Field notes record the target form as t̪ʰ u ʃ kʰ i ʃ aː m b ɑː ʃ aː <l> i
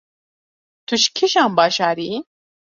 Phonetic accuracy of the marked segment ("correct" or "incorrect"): incorrect